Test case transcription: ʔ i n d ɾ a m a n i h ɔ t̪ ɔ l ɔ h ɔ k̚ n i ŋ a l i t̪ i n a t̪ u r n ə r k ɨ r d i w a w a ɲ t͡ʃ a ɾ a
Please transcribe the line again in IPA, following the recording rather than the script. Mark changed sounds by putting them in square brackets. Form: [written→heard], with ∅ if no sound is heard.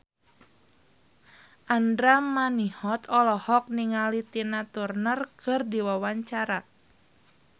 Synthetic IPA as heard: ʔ [i→a] n d ɾ a m a n i h ɔ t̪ ɔ l ɔ h ɔ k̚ n i ŋ a l i t̪ i n a t̪ u r n ə r k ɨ r d i w a w a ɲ t͡ʃ a ɾ a